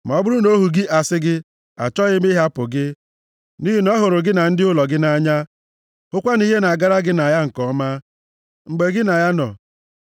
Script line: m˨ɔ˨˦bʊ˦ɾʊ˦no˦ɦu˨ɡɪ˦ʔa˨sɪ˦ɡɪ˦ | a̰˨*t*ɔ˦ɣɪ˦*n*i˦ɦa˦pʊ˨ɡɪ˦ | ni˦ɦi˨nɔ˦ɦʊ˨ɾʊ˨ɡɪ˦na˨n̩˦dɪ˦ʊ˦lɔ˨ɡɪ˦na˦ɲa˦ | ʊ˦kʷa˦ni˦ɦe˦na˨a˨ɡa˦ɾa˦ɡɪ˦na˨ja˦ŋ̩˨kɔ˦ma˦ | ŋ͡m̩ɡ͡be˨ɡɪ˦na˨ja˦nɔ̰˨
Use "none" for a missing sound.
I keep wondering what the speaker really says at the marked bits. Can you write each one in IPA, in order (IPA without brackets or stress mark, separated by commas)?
t͡ʃ, m